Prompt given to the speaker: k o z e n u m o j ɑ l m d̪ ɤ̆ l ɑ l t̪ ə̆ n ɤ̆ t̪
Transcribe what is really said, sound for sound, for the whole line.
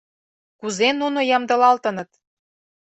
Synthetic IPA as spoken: k u z e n u n o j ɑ m d̪ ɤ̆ l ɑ l t̪ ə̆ n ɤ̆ t̪